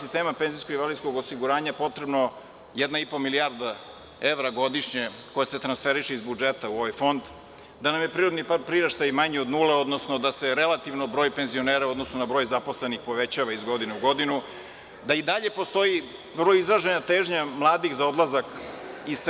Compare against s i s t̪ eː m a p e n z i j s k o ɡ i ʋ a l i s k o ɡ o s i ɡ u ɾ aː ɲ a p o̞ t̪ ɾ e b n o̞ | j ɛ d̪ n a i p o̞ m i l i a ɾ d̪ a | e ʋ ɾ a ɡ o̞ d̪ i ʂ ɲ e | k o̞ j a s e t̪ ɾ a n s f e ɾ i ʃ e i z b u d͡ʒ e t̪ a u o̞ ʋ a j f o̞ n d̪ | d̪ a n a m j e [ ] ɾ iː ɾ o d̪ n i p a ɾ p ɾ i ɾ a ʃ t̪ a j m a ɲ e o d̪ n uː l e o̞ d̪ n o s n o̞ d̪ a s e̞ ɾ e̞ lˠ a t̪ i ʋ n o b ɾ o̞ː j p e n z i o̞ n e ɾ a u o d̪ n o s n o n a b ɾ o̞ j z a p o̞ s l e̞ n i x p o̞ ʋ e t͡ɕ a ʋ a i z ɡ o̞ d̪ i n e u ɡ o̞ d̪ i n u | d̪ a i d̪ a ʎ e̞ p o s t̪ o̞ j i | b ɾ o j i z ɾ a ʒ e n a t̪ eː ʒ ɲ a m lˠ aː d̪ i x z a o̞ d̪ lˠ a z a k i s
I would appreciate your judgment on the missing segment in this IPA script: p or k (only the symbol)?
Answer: p